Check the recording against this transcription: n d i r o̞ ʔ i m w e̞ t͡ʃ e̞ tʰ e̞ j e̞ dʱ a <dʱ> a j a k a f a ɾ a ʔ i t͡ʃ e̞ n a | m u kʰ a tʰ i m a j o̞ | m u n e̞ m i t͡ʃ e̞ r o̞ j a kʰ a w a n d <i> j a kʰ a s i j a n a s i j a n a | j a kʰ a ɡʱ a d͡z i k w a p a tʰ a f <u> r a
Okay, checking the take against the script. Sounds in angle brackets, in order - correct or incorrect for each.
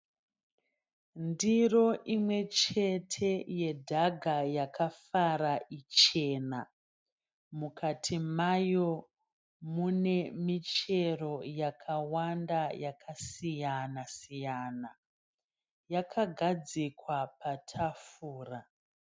incorrect, incorrect, incorrect

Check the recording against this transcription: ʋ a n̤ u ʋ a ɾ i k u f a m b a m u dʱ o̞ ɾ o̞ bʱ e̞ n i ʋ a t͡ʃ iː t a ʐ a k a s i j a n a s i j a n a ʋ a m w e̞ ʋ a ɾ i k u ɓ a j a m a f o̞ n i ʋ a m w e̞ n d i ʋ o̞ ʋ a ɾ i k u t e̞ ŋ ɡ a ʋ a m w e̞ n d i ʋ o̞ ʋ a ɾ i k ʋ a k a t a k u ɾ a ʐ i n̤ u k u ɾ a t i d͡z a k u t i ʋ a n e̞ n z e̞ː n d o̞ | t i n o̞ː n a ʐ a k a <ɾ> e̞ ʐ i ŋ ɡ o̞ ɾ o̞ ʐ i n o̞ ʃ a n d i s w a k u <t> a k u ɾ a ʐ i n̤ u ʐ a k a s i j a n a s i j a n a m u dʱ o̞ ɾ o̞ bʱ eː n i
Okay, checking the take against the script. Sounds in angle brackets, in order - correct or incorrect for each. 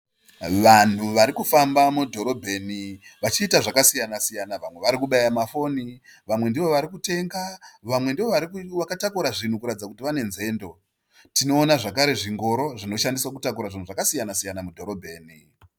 correct, correct

